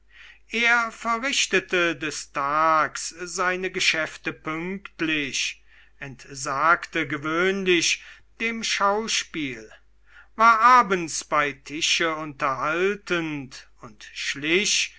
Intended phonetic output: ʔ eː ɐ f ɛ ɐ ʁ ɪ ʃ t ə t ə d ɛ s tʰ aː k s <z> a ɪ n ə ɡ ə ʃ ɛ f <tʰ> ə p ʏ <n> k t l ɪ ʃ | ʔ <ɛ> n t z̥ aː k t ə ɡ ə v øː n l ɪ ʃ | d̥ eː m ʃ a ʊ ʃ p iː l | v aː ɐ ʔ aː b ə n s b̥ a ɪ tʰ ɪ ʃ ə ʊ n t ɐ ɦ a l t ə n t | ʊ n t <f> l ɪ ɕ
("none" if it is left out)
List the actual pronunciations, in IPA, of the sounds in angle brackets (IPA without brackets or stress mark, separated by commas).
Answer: z, t, ŋ, ɛ, ʃ